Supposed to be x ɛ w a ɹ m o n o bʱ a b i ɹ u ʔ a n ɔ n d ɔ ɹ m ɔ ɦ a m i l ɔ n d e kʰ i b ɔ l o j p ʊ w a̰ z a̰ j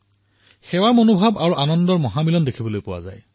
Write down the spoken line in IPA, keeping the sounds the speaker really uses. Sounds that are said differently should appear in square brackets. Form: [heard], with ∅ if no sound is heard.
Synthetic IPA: x ɛ w a ɹ m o n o bʱ a b [a] ɹ u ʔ a n ɔ n d ɔ ɹ m ɔ ɦ a m i l ɔ n d e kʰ i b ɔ l o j p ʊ w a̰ z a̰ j